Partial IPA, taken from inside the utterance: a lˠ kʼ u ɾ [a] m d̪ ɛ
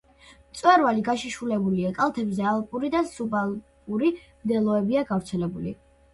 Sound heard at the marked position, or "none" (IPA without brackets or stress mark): i